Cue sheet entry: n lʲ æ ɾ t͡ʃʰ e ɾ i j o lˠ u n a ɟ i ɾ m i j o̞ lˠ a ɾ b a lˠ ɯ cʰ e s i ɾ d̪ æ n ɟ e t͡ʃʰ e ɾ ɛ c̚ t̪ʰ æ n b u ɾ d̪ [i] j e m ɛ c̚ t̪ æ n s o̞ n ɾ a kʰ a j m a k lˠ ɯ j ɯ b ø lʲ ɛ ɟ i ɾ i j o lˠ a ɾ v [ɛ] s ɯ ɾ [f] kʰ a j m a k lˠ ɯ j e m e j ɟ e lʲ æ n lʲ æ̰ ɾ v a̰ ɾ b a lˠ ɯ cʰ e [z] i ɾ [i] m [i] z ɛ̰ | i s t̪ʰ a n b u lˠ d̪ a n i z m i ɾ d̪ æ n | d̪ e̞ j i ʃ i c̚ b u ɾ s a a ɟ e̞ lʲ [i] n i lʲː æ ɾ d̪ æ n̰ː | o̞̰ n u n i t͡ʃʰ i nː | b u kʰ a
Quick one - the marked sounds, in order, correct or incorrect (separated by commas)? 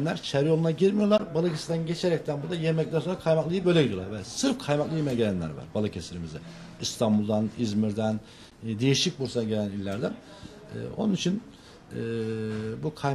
incorrect, correct, correct, incorrect, correct, correct, incorrect